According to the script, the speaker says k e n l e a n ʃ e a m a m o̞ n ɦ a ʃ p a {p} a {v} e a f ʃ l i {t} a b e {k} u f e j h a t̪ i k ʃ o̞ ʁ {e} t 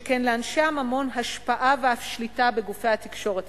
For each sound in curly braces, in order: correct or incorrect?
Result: incorrect: ʔ, correct, correct, incorrect: ɡ, correct

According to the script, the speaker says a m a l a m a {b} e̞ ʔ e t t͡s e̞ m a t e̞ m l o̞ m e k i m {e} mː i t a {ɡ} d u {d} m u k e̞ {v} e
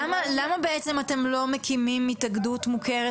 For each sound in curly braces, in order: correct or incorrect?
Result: correct, incorrect: i, correct, incorrect: t, incorrect: ʁ

